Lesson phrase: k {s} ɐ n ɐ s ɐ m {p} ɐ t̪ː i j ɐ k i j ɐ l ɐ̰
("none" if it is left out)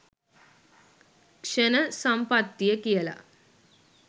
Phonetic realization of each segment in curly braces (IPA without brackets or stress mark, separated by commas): ʂ, p